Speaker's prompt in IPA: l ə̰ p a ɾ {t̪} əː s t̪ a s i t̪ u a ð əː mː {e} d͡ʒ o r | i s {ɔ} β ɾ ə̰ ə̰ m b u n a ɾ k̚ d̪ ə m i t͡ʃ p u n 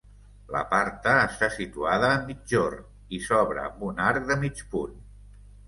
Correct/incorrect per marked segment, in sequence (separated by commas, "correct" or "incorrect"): correct, incorrect, correct